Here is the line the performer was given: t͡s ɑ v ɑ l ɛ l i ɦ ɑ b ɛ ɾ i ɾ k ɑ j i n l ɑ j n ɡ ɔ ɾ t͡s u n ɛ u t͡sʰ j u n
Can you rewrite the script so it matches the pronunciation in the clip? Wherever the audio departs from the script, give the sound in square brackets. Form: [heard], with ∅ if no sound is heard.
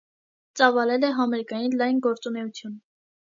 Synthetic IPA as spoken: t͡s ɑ v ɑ l ɛ l [ɛ] ɦ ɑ [m] ɛ ɾ i [∅] k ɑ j i n l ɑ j n ɡ ɔ ɾ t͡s u n ɛ u t͡sʰ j u n